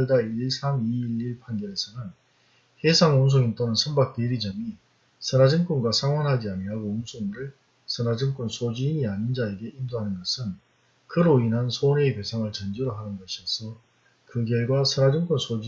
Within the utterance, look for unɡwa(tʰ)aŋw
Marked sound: incorrect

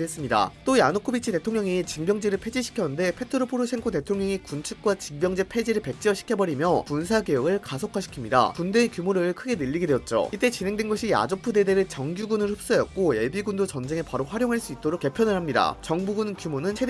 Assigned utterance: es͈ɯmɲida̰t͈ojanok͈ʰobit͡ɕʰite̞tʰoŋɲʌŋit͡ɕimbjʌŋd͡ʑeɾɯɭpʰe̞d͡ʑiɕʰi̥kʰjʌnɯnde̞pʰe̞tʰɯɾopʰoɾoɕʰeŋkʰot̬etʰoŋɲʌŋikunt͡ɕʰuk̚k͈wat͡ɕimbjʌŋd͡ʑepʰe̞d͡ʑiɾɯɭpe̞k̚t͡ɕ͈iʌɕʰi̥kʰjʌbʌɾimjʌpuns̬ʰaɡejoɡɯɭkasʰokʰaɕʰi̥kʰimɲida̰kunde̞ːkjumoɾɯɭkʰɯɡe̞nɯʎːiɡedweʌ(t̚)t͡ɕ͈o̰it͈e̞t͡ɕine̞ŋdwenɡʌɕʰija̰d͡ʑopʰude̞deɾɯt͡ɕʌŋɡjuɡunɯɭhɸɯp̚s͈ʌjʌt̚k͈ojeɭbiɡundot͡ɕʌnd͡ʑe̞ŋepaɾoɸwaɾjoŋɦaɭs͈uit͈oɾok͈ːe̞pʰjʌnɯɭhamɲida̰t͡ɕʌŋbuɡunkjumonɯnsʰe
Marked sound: correct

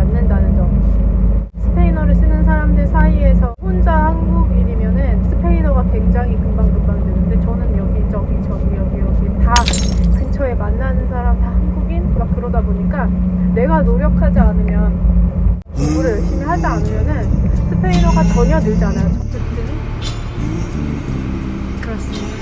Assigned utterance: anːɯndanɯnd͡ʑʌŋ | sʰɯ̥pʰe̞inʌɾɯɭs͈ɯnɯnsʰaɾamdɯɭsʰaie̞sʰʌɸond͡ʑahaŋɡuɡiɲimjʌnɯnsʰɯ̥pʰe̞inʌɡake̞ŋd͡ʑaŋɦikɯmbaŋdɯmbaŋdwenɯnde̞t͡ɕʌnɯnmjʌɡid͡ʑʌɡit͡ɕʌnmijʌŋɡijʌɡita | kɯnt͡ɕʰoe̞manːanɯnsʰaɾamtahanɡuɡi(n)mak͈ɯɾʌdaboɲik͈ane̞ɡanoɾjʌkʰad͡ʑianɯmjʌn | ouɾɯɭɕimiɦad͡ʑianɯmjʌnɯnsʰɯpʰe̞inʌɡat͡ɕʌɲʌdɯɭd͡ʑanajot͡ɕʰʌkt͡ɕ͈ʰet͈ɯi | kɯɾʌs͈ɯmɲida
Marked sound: correct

